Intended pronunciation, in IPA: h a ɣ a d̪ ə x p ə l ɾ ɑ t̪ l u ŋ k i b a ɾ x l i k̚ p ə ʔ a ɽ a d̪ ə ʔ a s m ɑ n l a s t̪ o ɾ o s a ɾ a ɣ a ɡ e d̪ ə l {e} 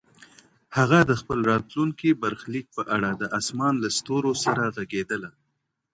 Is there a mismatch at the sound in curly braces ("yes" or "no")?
yes